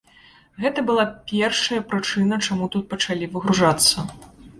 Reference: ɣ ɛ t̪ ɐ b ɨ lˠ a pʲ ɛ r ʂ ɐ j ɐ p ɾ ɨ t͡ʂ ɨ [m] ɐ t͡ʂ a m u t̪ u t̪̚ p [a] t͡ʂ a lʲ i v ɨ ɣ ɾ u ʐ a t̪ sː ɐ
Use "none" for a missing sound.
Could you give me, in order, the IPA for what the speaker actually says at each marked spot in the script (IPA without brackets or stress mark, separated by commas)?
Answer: n, ɐ